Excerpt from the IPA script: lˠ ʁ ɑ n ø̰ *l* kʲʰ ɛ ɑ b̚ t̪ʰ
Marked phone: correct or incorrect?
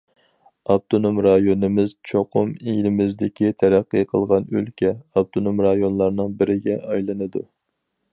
correct